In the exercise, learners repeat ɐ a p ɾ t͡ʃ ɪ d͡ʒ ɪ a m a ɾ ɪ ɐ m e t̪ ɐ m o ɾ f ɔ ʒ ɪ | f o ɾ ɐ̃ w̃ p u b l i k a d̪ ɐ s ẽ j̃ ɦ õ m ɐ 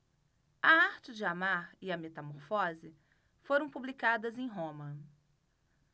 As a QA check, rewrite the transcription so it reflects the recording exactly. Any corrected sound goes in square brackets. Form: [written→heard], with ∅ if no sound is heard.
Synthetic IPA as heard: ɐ a [p→∅] ɾ t͡ʃ ɪ d͡ʒ ɪ a m a ɾ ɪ ɐ m e t̪ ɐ m o ɾ f ɔ [ʒ→z] ɪ | f o ɾ ɐ̃ w̃ p u b l i k a d̪ ɐ [s→z] ẽ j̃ ɦ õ m ɐ